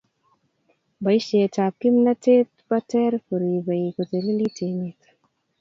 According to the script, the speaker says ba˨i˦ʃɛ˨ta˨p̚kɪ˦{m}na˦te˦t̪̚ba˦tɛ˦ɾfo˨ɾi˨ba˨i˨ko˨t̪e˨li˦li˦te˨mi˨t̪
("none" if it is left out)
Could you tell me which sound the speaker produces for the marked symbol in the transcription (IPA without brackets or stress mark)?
m